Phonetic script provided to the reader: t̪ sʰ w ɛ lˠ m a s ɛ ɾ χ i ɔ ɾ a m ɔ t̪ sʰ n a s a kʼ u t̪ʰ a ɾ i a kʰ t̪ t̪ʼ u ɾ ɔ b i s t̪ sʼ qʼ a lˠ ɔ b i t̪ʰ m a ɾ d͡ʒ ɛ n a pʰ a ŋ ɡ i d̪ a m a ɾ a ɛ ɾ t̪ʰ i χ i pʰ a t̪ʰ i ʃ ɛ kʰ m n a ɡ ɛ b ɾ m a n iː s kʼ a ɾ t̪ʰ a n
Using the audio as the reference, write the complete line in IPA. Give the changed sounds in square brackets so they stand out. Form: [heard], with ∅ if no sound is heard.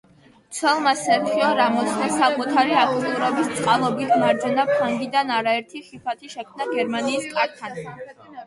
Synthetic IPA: t̪ sʰ w ɛ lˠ m a s ɛ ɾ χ i ɔ ɾ a m ɔ t̪ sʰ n a s a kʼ u t̪ʰ a ɾ i a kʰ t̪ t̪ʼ u ɾ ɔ b i s t̪ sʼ qʼ a lˠ ɔ b i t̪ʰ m a ɾ d͡ʒ ɛ n a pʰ a ŋ ɡ i d̪ a [n] a ɾ a ɛ ɾ t̪ʰ i χ i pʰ a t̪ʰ i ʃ ɛ kʰ m n a ɡ ɛ [∅] ɾ m a n iː s kʼ a ɾ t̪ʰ a n